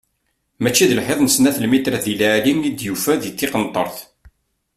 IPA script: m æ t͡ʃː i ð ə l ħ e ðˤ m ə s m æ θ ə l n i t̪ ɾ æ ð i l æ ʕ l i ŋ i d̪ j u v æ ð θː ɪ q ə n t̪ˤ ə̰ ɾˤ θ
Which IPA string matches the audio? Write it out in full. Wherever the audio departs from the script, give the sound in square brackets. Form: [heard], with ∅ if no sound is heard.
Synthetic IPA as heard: m æ t͡ʃː i ð ə l ħ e ðˤ [n] ə s [n] æ θ ə l [m] i t̪ ɾ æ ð i l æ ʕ l i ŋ i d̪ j u [f] æ ð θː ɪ q ə n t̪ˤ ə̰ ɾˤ θ